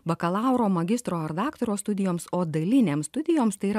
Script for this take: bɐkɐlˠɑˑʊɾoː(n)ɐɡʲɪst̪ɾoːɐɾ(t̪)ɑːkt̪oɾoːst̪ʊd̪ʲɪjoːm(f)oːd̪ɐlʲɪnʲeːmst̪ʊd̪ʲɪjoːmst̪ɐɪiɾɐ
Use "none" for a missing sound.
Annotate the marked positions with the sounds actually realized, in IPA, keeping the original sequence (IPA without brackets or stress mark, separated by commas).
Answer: m, d̪, s